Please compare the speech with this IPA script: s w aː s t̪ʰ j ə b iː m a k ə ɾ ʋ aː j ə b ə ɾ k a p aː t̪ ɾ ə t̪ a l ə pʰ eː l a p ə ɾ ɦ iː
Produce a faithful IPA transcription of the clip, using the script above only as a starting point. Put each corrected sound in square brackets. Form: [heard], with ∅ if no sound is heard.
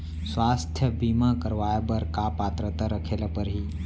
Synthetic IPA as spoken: s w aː s t̪ʰ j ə b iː m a k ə ɾ ʋ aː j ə b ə ɾ k a p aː t̪ ɾ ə t̪ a [ɾ] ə [kʰ] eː l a p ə ɾ ɦ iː